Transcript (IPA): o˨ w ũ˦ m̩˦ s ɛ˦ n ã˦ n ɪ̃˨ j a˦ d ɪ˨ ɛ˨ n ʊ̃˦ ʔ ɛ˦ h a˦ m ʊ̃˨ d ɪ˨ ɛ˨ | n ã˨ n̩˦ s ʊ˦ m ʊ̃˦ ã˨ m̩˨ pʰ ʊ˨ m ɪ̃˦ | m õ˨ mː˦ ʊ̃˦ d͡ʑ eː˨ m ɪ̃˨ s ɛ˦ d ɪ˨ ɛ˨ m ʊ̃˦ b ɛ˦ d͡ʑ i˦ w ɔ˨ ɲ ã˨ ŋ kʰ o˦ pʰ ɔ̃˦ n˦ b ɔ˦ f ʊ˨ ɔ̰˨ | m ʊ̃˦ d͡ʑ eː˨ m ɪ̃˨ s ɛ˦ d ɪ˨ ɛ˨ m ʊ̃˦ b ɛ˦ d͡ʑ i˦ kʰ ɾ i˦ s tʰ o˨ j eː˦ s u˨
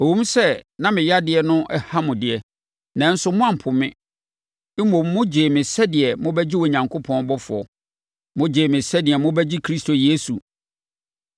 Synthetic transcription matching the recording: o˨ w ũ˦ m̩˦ s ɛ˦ n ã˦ m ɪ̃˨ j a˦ d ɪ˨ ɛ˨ n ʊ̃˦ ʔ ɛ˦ h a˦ m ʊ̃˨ d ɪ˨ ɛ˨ | n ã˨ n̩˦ s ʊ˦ m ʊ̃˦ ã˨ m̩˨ pʰ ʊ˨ m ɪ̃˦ | m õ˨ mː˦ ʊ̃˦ d͡ʑ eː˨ m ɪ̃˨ s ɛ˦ d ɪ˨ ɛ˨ m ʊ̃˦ b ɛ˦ d͡ʑ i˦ w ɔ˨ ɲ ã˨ ŋ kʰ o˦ pʰ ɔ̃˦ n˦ b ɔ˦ f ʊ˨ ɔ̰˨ | m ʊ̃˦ d͡ʑ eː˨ m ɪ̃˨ s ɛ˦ d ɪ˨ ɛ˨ m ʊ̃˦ b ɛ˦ d͡ʑ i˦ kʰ ɾ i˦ s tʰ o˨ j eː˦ s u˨